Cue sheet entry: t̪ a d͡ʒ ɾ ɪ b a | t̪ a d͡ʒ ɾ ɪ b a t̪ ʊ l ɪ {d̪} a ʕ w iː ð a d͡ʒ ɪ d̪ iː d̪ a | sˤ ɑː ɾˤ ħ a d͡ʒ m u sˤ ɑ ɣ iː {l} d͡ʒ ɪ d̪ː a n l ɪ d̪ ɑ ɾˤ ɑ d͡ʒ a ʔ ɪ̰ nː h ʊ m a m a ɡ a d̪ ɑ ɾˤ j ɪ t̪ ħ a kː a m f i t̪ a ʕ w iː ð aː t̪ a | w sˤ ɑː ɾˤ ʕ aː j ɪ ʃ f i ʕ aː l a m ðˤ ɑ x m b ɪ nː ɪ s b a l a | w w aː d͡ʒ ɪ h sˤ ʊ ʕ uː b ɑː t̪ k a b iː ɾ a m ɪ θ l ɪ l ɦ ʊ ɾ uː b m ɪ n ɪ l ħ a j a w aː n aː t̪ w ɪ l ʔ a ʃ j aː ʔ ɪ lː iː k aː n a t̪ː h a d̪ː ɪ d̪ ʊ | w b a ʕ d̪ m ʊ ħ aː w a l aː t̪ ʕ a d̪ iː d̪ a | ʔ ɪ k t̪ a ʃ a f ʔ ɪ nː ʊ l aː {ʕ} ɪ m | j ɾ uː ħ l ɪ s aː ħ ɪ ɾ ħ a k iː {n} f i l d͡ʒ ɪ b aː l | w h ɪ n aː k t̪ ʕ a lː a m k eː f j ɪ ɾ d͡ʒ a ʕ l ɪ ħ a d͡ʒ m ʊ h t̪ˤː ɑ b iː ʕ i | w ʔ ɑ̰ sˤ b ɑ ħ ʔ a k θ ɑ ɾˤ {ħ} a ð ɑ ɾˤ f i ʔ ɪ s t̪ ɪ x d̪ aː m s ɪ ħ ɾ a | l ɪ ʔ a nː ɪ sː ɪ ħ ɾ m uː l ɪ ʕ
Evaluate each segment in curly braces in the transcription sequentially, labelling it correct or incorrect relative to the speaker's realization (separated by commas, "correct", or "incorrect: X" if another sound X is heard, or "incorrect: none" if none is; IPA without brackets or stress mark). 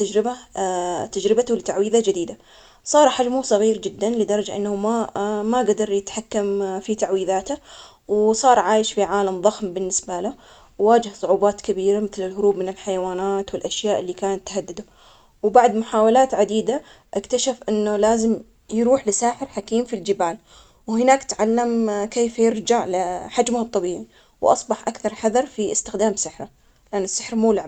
incorrect: t̪, incorrect: ɾ, incorrect: z, incorrect: m, correct